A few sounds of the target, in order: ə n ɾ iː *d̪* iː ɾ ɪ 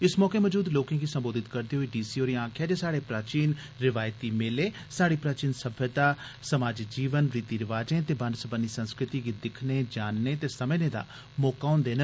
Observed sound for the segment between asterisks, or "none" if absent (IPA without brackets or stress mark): t̪